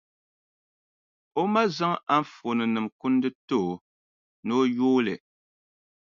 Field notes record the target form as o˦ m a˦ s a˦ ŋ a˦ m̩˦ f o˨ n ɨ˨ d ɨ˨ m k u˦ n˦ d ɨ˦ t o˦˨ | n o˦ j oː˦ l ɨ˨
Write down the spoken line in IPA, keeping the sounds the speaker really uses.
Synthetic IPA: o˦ m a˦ z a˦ ŋ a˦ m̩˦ f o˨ n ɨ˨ n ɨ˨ m k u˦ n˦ d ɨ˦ t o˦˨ | n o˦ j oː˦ l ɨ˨